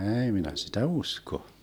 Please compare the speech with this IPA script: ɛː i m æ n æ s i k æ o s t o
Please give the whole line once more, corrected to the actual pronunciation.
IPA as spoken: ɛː i m i n æ s i t æ u s k o